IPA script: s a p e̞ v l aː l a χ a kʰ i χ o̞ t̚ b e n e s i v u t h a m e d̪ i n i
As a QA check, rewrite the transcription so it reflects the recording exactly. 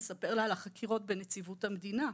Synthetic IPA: s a p e̞ ʁ l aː l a χ a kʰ i ʁ o̞ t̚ b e n e t͡s i v u t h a m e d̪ i n a